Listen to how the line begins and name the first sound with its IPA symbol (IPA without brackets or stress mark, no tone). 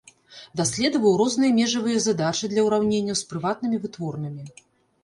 d̪